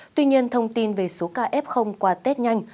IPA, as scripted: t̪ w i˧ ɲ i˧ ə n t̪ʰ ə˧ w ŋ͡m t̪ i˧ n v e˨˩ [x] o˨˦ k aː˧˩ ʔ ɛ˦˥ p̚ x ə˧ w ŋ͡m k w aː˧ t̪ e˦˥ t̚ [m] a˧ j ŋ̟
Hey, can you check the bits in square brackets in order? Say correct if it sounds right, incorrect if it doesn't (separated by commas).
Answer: incorrect, incorrect